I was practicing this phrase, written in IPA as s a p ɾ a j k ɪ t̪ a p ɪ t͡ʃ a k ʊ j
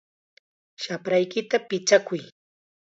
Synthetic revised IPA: ʃ a p ɾ a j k ɪ t̪ a p ɪ t͡ʃ a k ʊ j